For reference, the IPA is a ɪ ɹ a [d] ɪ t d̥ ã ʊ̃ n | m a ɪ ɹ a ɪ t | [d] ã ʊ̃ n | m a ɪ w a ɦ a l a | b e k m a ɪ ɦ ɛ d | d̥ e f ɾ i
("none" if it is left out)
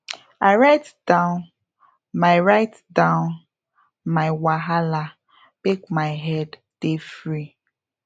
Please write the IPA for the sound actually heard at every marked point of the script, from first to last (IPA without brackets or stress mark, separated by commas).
none, d